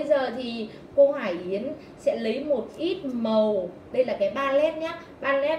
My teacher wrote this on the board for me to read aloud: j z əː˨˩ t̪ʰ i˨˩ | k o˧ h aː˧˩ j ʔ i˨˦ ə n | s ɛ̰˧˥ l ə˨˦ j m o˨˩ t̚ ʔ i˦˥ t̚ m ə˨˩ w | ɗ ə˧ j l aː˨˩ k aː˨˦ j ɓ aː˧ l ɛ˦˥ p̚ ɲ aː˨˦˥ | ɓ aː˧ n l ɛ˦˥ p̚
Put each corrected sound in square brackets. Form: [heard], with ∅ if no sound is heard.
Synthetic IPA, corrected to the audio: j z əː˨˩ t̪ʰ i˨˩ | k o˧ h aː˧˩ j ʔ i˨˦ ə n | s ɛ̰˧˥ l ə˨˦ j m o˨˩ t̚ ʔ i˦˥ t̚ m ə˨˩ w | ɗ ə˧ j l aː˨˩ k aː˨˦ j ɓ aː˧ l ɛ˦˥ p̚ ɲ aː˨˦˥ | ɓ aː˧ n l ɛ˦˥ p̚